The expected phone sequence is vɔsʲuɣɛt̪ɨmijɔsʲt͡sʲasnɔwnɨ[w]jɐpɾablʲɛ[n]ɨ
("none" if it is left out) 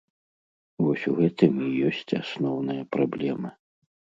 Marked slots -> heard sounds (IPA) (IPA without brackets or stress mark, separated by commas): none, m